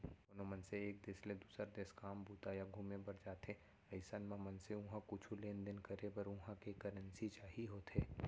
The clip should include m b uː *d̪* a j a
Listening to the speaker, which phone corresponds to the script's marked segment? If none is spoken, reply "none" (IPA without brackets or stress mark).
t̪